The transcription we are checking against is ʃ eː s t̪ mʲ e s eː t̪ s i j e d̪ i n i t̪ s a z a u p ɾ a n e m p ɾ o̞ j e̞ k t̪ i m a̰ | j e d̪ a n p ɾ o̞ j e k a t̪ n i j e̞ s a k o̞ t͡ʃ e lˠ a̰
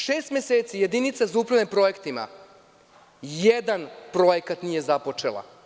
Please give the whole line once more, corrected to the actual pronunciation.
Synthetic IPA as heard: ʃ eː s t̪ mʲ e s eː t̪ s i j e d̪ i n i t̪ s a z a u p ɾ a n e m p ɾ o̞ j e̞ k t̪ i m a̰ | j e d̪ a n p ɾ o̞ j e k a t̪ n i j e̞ z a p o̞ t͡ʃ e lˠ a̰